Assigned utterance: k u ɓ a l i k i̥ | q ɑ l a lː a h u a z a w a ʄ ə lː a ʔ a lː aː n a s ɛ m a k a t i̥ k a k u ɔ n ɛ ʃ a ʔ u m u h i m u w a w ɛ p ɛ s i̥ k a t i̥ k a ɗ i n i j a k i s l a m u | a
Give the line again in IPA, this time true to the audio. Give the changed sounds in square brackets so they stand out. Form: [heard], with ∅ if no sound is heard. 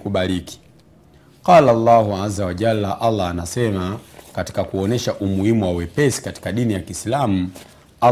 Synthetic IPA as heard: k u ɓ a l i k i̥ | q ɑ l a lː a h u a z a w a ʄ [a] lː a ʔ a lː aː n a s ɛ m a k a t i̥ k a k u ɔ n ɛ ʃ a ʔ u m u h i m u w a w ɛ p ɛ s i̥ k a t i̥ k a ɗ i n i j a k i s l a m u | a